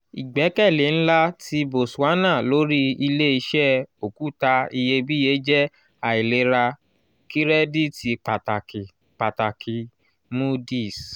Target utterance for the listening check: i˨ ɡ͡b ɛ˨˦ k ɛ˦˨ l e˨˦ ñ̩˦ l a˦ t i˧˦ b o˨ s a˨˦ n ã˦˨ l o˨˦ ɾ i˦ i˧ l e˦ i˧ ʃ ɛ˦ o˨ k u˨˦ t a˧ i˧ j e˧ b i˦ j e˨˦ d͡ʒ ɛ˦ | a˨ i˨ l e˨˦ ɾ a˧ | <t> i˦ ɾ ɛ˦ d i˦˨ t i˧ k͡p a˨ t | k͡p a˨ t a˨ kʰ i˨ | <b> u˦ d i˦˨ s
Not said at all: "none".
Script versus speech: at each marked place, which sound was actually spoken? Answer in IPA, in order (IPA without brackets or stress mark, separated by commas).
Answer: k, m